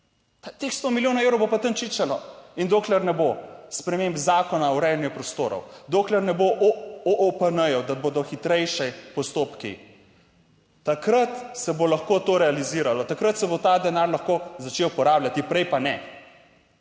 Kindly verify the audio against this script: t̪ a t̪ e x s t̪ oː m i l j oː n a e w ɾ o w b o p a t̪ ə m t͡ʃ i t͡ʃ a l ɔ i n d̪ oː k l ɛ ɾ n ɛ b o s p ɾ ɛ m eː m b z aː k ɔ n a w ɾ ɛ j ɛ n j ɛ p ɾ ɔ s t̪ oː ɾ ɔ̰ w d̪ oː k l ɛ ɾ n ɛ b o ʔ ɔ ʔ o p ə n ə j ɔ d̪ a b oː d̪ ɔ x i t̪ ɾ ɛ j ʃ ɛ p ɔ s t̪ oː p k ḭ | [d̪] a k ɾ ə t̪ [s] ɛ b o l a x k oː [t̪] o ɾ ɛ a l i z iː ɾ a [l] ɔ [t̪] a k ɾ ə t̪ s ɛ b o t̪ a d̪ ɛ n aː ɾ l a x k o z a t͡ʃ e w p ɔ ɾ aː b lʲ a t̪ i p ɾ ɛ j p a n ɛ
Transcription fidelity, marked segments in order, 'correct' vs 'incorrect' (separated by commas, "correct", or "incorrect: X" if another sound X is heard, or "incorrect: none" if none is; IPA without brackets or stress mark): incorrect: t̪, correct, correct, correct, correct